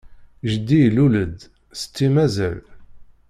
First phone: ʒ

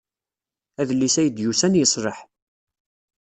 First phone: æ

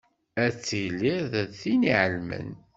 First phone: æ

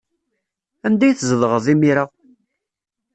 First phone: æ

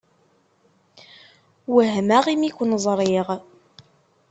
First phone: w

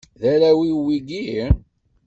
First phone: ð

